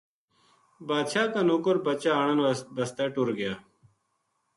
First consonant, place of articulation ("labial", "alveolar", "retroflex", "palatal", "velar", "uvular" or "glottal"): labial